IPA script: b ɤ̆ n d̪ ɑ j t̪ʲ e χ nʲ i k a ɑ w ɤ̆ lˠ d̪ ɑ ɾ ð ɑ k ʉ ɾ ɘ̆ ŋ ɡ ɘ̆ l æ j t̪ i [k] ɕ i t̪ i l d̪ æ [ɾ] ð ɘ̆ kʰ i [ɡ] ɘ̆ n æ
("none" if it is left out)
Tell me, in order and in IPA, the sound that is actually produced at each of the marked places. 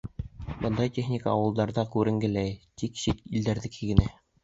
k, ɾ, ɡ

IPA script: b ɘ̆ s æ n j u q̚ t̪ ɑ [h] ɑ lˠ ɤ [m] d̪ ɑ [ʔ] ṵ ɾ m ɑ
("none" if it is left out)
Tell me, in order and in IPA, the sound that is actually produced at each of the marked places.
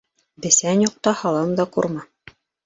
h, m, q

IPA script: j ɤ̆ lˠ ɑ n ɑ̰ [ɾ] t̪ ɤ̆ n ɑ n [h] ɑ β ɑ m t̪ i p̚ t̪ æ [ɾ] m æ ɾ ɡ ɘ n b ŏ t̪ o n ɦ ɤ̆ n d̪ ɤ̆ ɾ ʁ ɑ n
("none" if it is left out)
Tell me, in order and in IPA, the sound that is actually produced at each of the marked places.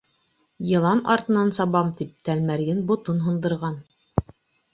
ɾ, s, l

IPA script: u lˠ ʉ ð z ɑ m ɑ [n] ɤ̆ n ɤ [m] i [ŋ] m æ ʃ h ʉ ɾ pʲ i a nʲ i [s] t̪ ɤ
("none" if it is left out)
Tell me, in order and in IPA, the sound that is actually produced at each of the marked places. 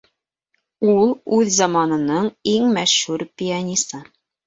n, ɴ, ŋ, s

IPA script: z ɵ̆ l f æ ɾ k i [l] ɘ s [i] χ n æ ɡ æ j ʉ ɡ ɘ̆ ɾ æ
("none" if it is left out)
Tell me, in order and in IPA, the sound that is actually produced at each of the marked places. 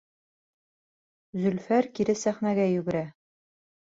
ɾ, æ

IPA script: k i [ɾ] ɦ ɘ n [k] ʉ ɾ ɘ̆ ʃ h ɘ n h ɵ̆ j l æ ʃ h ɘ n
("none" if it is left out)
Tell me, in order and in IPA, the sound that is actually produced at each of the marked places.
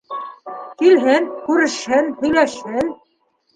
l, k

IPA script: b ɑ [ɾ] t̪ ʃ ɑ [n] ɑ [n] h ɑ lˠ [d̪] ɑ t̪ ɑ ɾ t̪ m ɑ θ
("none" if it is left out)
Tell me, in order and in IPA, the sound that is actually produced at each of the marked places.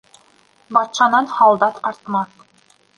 none, n, n, d̪

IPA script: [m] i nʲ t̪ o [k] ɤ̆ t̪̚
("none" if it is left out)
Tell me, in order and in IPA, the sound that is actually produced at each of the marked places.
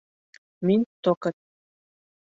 m, k

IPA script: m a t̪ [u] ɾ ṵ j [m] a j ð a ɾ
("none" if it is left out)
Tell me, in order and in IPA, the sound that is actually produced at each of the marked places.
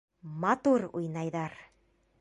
u, n

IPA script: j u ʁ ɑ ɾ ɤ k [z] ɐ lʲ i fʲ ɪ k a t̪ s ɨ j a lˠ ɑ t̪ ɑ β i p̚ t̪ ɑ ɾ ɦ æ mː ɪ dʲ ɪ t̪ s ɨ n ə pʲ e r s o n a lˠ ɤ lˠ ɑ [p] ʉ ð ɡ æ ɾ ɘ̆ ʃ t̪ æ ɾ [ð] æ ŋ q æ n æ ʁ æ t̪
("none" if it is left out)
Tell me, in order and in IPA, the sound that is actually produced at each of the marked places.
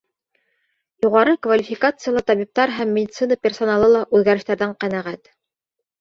v, ʔ, ð

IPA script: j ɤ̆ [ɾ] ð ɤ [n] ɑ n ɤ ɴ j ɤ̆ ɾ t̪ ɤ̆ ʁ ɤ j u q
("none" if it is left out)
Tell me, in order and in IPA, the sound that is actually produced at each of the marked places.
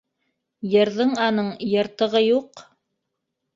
ɾ, ɴ

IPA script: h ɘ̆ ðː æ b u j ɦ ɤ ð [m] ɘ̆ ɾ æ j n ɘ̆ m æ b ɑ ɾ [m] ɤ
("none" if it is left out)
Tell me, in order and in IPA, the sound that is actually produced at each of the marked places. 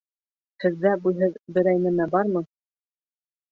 b, m

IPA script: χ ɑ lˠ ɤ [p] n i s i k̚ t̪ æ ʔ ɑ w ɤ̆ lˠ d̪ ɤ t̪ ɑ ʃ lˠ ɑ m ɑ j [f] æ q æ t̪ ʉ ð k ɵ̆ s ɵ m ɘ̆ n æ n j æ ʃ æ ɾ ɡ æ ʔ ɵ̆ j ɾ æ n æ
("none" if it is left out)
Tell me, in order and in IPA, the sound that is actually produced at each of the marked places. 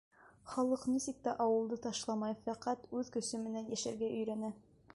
q, f

